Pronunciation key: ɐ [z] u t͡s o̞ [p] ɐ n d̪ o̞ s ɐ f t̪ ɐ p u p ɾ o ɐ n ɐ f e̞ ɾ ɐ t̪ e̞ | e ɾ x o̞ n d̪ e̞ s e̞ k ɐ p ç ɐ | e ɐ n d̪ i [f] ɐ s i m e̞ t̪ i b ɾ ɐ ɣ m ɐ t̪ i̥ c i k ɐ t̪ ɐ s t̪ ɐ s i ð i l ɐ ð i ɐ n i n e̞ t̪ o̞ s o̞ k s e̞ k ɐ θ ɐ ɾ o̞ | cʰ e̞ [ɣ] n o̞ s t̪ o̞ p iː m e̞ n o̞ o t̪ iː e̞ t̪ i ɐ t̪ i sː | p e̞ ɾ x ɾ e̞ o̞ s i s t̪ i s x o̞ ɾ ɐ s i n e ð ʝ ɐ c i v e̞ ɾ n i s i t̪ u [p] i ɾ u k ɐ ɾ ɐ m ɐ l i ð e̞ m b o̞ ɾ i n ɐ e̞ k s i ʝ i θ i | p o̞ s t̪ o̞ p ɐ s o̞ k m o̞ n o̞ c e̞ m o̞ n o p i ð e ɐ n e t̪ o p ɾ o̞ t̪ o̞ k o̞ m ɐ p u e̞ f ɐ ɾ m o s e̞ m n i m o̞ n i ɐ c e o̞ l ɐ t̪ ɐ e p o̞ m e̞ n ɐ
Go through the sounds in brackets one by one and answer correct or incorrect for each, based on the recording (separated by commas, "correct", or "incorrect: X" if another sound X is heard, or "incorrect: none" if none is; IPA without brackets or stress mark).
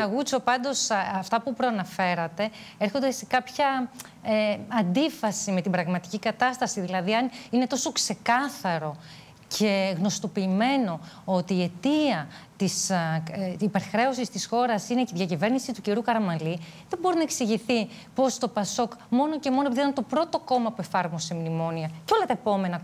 incorrect: ɣ, correct, correct, correct, incorrect: c